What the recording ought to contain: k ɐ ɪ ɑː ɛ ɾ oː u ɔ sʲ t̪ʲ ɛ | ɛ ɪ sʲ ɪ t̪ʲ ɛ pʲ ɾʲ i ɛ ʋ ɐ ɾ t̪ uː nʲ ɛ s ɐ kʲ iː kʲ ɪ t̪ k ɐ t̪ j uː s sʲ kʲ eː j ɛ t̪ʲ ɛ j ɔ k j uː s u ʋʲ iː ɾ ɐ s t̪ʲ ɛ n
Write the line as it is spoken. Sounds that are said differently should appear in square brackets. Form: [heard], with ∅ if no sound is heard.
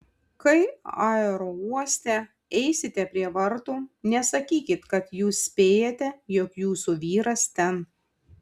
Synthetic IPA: k ɐ ɪ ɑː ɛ ɾ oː u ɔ sʲ t̪ʲ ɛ | ɛ ɪ sʲ ɪ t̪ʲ ɛ pʲ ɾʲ i ɛ ʋ ɐ ɾ t̪ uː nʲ ɛ s ɐ kʲ iː kʲ ɪ t̪ k ɐ t̪ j uː s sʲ [pʲ] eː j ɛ t̪ʲ ɛ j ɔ k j uː s u ʋʲ iː ɾ ɐ s t̪ʲ ɛ n